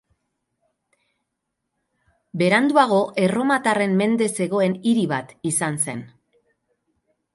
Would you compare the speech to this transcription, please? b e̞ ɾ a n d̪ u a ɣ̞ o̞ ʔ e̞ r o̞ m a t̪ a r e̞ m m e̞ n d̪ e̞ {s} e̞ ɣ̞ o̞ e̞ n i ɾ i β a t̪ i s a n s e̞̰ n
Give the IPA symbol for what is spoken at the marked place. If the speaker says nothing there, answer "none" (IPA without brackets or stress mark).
s